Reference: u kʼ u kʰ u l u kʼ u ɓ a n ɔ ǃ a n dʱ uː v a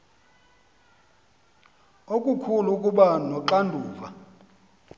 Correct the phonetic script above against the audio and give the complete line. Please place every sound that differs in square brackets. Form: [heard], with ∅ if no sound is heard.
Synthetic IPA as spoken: [o] kʼ u kʰ u l u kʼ u ɓ a n ɔ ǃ a n dʱ uː v a